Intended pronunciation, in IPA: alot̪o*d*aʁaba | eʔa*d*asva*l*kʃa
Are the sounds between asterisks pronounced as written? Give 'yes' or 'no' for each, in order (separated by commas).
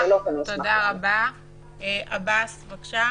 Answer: yes, no, no